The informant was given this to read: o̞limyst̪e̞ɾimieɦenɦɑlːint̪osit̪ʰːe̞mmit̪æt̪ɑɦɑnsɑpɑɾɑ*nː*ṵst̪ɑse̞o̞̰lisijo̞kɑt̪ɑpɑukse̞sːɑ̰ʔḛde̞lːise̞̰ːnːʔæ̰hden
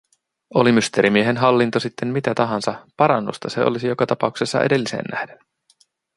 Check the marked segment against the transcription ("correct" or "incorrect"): correct